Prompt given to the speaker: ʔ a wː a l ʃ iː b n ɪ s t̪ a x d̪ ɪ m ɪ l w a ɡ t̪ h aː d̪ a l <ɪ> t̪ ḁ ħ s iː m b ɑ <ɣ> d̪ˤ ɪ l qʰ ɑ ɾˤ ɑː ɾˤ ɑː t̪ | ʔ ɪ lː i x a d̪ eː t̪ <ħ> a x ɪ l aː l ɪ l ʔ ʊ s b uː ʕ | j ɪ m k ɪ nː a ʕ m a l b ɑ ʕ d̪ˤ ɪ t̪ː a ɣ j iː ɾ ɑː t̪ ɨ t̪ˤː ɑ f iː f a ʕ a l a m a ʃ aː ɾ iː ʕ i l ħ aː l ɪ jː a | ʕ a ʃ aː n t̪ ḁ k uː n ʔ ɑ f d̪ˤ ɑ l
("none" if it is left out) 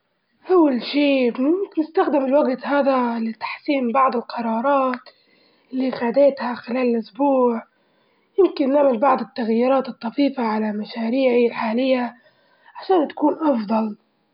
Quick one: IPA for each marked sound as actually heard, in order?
ɪ, ʕ, h

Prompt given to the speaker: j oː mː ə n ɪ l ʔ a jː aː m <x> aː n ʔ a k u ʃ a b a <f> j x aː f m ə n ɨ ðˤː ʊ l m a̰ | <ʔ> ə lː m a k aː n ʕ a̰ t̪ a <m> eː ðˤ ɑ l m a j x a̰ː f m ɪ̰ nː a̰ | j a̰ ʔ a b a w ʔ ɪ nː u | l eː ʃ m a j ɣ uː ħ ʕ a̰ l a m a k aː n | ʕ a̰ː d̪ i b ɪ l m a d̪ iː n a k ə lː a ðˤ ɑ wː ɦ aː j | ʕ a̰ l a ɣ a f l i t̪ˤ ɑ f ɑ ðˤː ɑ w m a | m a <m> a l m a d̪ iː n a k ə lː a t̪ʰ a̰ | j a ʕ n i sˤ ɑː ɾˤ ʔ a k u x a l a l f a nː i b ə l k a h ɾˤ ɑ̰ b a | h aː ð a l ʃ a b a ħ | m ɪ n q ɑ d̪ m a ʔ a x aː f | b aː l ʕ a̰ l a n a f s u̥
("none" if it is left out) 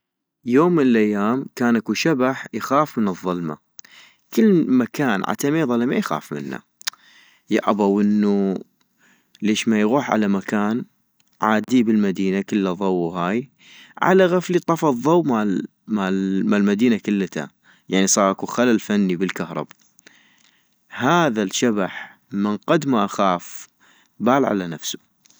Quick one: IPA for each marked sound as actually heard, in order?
k, ħ, k, m, m

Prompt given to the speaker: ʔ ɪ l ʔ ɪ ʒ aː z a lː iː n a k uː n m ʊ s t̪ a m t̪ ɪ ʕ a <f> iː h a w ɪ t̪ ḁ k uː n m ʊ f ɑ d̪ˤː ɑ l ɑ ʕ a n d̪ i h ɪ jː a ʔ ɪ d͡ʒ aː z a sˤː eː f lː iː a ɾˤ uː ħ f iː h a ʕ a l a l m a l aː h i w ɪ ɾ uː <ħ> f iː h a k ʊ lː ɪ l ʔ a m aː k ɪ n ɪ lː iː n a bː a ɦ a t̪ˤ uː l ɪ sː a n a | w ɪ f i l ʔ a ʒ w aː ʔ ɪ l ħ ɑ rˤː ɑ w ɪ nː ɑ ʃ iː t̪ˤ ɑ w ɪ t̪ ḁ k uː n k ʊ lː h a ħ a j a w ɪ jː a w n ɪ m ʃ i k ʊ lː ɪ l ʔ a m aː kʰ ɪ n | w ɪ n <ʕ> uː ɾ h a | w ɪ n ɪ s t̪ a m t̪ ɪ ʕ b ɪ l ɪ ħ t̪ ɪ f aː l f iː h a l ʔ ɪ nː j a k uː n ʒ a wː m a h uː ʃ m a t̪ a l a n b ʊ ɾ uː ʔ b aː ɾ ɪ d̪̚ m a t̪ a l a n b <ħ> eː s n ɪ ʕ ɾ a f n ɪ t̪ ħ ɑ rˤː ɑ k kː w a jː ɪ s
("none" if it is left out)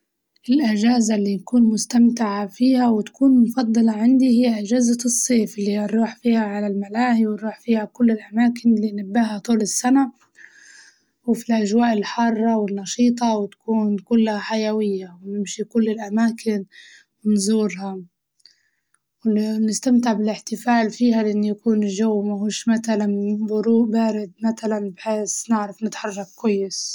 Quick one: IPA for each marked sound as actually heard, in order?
f, ħ, z, ħ

